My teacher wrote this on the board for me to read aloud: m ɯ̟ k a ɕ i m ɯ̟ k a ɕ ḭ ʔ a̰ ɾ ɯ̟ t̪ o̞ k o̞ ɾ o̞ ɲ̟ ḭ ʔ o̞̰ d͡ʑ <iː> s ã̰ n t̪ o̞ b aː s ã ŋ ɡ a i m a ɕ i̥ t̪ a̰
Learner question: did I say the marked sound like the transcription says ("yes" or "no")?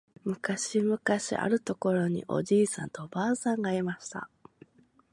yes